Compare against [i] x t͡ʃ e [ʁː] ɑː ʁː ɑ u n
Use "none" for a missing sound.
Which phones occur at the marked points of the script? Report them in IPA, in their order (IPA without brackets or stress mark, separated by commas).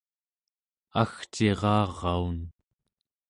a, ʁ